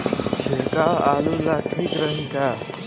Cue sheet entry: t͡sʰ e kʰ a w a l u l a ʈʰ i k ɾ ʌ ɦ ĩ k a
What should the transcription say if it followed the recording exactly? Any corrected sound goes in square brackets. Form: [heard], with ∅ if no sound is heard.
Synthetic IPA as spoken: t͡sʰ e [k] a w a l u l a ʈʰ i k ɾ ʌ ɦ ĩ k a